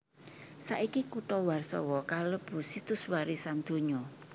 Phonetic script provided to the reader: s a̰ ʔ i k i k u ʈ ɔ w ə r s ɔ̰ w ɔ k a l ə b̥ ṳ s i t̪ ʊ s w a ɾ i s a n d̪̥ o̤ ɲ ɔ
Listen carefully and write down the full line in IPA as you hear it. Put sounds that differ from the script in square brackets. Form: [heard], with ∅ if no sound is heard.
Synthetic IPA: s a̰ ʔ i k i k u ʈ ɔ w [a] r s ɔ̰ w ɔ k a l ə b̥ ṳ s i t̪ ʊ s w a ɾ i s a n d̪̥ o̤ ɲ ɔ